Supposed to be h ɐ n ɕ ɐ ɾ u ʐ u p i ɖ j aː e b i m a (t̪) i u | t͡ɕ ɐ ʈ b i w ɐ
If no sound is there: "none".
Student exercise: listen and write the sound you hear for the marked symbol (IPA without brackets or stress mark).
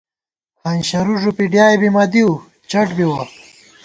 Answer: d̪